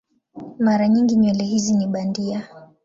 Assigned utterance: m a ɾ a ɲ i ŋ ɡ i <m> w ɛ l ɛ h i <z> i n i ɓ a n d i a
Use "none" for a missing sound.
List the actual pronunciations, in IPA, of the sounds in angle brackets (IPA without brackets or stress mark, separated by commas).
ɲ, z